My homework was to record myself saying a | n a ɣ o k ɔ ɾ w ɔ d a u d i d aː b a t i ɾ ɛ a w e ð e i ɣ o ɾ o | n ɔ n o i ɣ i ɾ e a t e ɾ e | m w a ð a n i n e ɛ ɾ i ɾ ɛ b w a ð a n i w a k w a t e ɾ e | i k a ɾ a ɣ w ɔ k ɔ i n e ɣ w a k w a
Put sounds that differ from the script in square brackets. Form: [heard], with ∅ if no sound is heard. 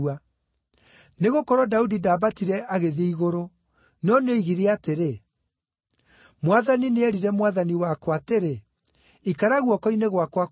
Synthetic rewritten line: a | n [e] ɣ o k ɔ ɾ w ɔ d a u d i d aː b a t i ɾ ɛ a [ɣ] e ð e i ɣ o ɾ o | n ɔ n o i ɣ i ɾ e a t e ɾ e | m w a ð a n i n e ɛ ɾ i ɾ ɛ [m] w a ð a n i w a k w a t e ɾ e | i k a ɾ a ɣ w ɔ k ɔ i n e ɣ w a k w a